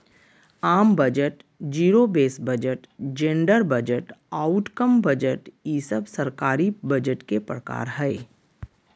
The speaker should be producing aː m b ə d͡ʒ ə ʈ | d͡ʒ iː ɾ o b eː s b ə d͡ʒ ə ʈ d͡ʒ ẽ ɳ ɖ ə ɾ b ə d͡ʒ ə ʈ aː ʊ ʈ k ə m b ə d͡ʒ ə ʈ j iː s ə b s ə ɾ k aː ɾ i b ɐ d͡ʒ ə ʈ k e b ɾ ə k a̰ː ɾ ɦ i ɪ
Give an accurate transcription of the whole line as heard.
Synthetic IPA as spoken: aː m b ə d͡ʒ ə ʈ | d͡ʒ iː ɾ o b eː s b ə d͡ʒ ə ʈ d͡ʒ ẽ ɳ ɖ ə ɾ b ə d͡ʒ ə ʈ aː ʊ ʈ k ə m b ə d͡ʒ ə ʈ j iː s ə b s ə ɾ k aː ɾ i b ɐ d͡ʒ ə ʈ k e p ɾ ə k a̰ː ɾ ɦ ɛ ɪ